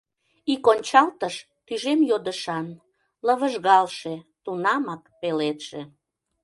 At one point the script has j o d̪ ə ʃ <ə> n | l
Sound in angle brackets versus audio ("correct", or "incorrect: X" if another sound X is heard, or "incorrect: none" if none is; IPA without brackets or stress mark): incorrect: ɑ